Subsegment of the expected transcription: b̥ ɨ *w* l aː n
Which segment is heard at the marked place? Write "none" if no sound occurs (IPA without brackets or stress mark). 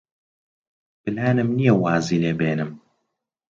none